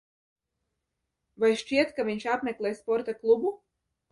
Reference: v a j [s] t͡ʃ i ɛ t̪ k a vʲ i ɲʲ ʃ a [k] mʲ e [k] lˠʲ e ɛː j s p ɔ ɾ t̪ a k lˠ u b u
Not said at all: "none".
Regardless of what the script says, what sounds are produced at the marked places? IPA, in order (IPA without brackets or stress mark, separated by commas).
ʃ, p, k